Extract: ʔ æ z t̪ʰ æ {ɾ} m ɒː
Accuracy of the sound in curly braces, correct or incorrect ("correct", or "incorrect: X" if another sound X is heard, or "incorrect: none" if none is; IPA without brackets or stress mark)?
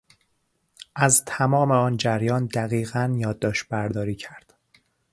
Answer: incorrect: none